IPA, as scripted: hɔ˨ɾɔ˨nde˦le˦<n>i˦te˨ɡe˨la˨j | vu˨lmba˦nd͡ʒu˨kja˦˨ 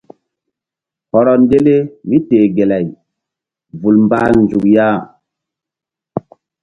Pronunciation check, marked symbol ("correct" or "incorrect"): incorrect